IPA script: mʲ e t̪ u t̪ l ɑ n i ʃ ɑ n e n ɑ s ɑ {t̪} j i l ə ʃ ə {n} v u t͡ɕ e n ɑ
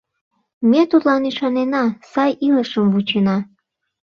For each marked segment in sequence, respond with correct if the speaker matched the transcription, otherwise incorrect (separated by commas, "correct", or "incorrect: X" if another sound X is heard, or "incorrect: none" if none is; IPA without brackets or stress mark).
incorrect: none, incorrect: m